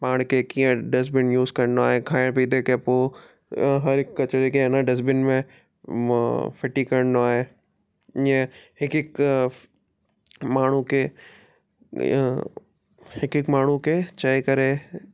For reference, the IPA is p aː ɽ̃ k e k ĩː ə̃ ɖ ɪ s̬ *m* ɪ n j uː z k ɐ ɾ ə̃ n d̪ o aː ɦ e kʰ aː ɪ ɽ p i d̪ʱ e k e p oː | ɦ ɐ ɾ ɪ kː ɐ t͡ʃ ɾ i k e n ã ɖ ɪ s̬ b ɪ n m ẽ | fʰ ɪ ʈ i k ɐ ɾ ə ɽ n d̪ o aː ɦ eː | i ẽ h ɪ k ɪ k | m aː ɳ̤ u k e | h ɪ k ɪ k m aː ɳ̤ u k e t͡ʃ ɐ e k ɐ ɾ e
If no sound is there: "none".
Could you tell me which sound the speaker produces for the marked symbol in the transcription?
b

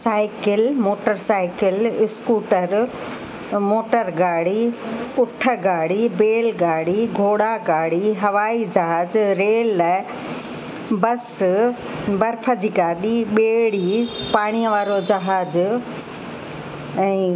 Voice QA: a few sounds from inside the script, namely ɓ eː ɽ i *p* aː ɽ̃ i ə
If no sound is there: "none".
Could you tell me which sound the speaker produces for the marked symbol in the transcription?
p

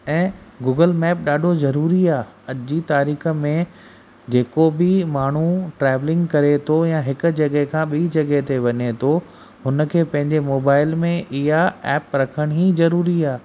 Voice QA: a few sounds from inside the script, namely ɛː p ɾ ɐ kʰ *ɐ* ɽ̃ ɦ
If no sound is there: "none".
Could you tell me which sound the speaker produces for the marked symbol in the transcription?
ə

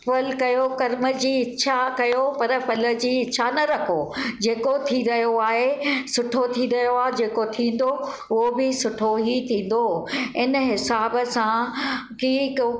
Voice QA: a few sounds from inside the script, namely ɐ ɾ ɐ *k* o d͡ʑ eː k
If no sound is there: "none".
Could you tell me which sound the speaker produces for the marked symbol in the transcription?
kʰ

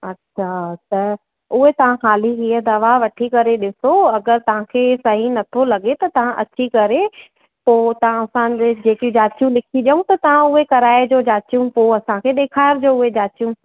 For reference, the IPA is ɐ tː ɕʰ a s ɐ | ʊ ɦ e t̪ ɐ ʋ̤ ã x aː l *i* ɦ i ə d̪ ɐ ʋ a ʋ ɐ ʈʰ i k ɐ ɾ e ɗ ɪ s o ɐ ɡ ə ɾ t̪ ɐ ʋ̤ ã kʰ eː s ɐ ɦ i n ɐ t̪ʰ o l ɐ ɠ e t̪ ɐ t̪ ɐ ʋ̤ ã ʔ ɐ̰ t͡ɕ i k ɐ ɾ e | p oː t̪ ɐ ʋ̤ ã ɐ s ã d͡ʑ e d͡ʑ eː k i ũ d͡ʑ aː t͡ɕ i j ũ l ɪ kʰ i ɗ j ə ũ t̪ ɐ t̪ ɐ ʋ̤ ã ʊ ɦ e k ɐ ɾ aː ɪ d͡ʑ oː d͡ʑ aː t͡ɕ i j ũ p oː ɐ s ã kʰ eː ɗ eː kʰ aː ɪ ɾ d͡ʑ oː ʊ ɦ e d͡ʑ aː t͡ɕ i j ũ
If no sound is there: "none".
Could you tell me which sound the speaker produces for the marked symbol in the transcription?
i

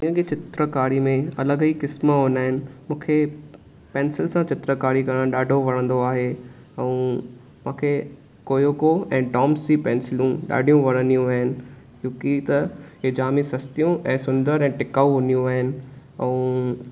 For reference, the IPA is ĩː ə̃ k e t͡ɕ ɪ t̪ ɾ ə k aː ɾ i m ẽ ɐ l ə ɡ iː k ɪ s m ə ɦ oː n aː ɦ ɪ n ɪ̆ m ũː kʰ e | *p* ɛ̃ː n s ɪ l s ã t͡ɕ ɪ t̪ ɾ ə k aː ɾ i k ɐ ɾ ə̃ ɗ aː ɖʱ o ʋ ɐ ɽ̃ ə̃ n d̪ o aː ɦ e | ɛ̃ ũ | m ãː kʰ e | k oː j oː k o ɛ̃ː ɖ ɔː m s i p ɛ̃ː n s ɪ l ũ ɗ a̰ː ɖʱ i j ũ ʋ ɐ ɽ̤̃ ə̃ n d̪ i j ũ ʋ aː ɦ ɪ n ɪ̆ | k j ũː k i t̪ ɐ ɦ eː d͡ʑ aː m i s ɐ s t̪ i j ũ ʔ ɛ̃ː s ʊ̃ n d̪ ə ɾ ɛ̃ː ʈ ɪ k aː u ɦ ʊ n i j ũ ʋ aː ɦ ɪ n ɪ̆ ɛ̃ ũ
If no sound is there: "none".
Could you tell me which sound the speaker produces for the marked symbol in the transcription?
p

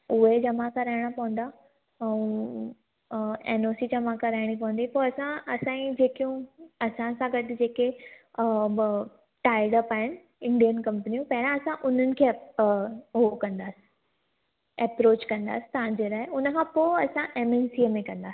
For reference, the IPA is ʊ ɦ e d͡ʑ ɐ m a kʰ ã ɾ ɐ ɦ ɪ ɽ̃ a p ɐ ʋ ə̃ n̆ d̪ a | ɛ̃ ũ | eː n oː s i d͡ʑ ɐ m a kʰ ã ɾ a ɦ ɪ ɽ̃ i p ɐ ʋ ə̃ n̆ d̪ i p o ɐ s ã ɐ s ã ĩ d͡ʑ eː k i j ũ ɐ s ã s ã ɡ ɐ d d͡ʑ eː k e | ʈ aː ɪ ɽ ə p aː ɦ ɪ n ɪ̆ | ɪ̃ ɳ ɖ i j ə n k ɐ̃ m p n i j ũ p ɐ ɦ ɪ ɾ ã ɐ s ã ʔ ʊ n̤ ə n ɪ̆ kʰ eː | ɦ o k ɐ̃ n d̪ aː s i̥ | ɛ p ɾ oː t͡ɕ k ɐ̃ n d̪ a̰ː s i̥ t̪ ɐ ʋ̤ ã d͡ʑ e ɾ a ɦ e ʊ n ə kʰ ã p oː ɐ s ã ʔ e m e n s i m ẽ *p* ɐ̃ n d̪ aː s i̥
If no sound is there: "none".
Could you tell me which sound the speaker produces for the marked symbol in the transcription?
k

